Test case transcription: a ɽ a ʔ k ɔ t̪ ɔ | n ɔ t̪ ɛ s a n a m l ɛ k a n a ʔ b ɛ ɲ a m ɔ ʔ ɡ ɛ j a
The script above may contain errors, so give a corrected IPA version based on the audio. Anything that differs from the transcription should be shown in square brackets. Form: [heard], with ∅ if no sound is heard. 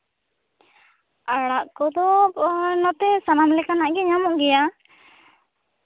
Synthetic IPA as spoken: a ɽ a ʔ k ɔ [d̪] ɔ | n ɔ t̪ ɛ s a n a m l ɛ k a n a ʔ [ɡ] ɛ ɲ a m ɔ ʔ ɡ ɛ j a

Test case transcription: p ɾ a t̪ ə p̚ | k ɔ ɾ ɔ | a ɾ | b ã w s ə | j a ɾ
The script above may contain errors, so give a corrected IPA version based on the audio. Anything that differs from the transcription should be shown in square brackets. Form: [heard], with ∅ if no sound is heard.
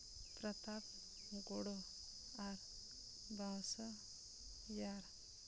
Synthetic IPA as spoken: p ɾ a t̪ [a] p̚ | [ɡ] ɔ [ɽ] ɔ | a ɾ | b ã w s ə | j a ɾ

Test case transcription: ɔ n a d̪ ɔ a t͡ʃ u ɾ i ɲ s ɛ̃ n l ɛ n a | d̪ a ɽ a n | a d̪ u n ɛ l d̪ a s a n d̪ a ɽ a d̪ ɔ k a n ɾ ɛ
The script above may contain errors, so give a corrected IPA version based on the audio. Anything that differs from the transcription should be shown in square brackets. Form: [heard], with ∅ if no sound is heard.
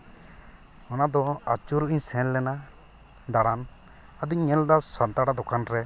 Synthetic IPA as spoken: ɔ n a d̪ ɔ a t͡ʃ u ɾ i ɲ s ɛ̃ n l ɛ n a | d̪ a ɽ a n | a d̪ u [ɲ] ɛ l d̪ a s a n [t̪] a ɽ a d̪ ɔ k a n ɾ ɛ

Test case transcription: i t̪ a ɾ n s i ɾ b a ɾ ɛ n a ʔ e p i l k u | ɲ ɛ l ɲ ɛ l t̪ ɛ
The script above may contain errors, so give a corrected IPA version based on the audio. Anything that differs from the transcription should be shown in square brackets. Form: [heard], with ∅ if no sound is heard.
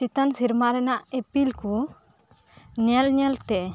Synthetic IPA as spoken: i t̪ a [∅] n s i ɾ [m] a ɾ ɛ n a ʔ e p i l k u | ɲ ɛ l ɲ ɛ l t̪ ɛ

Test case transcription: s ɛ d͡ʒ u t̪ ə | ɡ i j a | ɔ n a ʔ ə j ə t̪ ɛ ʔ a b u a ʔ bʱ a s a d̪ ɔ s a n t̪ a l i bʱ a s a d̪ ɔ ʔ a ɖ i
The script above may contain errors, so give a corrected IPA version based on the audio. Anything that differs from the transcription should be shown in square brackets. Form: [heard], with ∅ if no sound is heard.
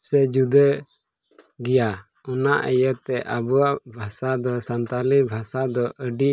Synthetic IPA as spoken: s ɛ d͡ʒ u [d̪] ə | ɡ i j a | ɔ n a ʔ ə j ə t̪ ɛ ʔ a b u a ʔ bʱ a s a d̪ ɔ s a n t̪ a l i bʱ a s a d̪ ɔ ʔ [ə] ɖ i

